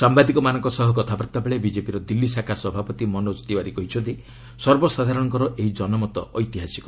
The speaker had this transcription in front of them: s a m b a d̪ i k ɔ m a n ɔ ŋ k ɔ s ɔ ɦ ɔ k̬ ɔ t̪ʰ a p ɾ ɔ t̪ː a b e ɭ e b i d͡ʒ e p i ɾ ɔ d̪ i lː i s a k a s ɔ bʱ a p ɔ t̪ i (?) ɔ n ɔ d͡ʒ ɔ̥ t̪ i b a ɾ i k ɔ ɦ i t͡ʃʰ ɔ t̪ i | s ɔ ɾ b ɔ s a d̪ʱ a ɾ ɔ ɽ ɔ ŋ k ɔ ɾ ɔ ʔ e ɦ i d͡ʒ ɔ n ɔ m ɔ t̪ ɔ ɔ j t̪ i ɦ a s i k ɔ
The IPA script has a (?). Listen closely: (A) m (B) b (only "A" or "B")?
A